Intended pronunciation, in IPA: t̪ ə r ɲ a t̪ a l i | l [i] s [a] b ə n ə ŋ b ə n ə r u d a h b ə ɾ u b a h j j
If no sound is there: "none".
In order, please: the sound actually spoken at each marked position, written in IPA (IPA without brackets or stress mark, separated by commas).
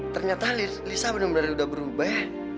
i, a